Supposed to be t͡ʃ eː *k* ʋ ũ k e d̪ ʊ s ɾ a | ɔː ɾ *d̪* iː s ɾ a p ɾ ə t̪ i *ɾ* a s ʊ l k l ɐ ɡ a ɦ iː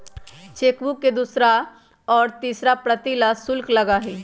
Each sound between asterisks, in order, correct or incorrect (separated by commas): correct, incorrect, incorrect